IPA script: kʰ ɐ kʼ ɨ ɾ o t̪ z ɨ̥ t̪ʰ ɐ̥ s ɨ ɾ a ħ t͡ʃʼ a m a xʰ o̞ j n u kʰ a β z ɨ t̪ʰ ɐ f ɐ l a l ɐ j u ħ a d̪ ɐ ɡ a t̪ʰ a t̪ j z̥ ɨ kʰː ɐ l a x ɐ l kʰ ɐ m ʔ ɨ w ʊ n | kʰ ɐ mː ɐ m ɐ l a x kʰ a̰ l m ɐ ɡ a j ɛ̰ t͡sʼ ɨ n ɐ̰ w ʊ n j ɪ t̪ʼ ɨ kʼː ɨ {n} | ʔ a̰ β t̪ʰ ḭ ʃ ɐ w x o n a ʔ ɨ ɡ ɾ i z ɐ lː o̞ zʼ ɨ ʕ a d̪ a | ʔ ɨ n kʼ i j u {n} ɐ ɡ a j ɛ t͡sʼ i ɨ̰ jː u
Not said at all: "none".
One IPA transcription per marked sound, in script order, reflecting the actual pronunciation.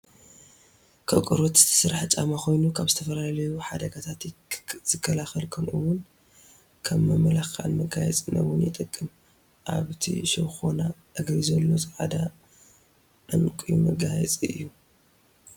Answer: m, m

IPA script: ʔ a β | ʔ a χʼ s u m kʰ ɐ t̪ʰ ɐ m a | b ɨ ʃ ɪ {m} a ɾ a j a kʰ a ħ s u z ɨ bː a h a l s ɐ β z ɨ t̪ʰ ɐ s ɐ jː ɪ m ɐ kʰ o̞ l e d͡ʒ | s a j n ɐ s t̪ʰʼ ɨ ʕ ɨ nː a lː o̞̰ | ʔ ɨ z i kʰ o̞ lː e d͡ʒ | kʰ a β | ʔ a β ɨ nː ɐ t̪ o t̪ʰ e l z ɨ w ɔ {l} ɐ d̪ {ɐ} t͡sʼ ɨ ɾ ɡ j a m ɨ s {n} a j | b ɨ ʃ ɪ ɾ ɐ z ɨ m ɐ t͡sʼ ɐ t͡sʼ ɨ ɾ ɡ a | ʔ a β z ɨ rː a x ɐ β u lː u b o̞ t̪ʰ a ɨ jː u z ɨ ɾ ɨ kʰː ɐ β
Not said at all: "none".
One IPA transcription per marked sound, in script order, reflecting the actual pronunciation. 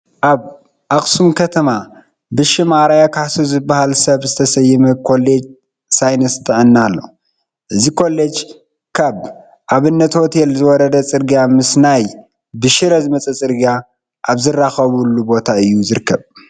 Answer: m, ɾ, ɐ, n

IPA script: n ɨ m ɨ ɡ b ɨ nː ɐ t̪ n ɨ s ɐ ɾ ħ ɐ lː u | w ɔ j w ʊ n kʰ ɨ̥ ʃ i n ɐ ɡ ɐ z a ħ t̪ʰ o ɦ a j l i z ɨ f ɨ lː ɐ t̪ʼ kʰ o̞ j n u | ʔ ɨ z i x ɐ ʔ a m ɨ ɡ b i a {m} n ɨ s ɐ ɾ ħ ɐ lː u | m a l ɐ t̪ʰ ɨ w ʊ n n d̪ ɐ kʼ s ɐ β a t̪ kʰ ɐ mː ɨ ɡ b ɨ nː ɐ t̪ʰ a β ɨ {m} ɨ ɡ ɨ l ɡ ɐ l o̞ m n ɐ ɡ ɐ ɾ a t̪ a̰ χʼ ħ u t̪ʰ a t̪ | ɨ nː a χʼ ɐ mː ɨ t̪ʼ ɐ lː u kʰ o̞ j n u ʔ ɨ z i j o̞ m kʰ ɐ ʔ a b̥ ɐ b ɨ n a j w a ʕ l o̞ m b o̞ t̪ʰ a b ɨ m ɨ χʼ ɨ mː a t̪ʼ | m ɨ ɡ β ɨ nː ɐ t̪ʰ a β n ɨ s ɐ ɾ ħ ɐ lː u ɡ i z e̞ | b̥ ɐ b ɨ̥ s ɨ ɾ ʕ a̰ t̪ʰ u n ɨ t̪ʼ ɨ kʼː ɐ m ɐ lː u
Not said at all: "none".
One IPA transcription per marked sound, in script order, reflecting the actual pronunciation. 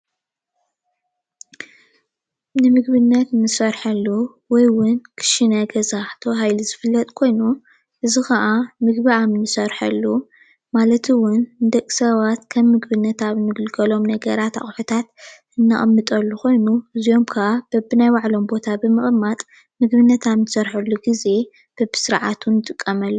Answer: m, n

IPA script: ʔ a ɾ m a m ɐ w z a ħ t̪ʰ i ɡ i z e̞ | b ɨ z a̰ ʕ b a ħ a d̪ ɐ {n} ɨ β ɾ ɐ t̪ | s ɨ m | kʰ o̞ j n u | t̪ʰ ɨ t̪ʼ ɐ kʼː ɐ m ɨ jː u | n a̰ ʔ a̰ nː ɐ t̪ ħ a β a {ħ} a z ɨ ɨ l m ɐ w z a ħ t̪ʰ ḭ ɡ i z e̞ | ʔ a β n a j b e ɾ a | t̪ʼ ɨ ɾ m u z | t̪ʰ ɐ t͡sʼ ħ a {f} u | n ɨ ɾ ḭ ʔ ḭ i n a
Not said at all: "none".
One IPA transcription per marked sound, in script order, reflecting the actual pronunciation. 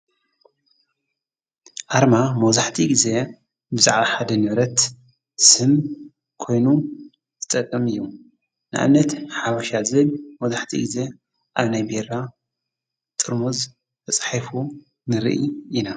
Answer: n, ʃ, f

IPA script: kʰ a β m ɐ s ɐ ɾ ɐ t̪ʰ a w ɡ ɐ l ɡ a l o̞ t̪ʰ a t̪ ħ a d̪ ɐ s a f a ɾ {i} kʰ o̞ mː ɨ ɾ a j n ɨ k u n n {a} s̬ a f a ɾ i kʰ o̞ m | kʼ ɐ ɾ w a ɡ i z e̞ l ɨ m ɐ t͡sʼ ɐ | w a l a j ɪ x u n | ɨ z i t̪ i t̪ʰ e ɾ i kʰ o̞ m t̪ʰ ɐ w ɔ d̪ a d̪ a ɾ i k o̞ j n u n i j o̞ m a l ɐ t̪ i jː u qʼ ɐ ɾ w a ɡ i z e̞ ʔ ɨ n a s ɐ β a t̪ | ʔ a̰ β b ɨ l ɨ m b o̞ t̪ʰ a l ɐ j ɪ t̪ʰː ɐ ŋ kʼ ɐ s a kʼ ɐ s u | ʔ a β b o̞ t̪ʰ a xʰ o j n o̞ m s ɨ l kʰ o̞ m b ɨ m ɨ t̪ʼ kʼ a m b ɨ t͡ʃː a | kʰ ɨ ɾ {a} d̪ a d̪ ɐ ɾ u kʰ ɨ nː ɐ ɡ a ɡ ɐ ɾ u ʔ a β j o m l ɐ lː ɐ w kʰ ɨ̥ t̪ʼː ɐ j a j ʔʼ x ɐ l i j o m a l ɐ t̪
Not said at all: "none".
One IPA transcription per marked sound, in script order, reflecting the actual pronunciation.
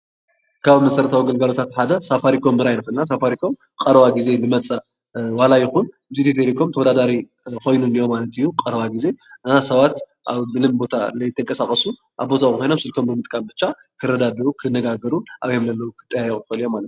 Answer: i, a, ɐ

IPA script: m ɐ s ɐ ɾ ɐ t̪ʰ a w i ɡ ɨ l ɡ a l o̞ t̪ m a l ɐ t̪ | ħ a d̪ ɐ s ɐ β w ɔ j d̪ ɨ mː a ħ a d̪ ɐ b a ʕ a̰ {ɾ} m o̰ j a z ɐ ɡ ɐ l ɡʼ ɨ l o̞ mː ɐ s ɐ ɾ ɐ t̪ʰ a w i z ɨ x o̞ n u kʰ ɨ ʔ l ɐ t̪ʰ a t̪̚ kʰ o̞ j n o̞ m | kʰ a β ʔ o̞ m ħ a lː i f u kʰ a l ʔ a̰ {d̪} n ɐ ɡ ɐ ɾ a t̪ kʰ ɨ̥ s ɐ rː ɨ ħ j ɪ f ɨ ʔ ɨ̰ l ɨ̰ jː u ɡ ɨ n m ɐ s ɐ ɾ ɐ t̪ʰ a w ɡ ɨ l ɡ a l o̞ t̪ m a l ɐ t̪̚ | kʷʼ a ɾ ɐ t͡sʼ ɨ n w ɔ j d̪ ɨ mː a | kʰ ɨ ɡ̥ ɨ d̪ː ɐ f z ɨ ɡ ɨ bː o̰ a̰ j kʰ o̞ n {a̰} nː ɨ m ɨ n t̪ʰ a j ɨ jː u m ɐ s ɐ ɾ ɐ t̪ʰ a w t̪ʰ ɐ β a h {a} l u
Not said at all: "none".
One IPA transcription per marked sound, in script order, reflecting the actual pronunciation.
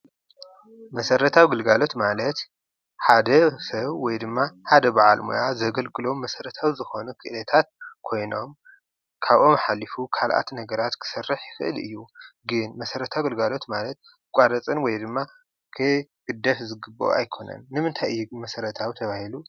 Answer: l, t̪, ɐ̰, i

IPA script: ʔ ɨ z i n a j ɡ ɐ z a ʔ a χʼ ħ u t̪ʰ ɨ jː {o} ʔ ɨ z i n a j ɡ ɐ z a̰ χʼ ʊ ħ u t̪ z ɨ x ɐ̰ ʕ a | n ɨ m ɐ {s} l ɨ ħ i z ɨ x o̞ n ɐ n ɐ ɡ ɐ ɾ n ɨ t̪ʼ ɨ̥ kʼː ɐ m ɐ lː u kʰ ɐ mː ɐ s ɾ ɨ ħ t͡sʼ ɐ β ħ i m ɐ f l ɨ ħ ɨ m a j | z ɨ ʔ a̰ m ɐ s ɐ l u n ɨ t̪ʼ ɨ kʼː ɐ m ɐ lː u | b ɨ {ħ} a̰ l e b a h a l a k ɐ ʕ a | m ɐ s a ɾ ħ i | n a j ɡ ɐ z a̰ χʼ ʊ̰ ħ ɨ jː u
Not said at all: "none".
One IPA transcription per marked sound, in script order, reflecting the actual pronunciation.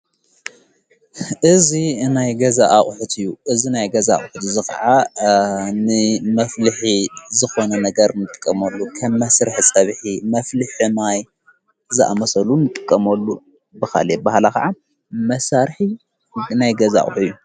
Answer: u, f, x

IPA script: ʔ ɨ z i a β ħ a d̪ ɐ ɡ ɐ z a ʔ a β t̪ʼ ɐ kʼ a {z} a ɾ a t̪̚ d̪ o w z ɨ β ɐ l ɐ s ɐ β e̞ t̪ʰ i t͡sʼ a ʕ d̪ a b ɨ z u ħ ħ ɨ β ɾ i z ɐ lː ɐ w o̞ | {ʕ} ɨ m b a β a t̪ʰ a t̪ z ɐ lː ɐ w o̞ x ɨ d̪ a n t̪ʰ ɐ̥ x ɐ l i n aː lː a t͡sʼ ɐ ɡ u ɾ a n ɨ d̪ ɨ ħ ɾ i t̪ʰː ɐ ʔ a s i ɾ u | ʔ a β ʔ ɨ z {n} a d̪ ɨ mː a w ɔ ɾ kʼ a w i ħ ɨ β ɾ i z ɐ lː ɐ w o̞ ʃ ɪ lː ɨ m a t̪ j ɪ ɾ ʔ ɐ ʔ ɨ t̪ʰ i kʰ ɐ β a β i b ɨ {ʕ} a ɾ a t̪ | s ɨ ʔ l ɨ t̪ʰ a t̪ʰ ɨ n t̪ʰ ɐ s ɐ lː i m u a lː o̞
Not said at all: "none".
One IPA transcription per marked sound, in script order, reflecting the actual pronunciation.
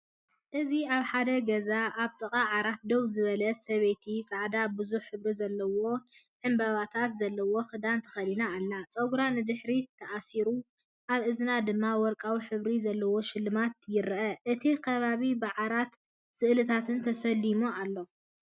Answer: ʕ, ʕ, n, ʕ

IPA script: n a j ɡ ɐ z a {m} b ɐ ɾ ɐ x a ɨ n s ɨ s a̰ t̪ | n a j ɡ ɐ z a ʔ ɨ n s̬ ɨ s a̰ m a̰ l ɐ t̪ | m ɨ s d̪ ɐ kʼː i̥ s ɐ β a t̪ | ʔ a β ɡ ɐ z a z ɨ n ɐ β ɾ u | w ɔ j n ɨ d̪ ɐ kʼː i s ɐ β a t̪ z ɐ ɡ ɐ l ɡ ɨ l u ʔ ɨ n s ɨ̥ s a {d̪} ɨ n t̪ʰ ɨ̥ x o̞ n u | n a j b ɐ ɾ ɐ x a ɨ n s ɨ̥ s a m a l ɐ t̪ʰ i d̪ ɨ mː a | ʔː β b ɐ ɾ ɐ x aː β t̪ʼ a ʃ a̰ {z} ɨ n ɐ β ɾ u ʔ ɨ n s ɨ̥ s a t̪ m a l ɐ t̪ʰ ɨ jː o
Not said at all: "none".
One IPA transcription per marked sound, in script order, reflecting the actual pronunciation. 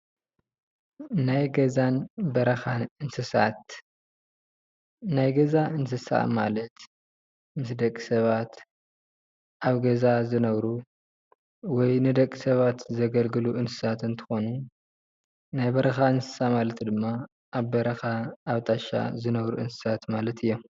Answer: n, t̪, z

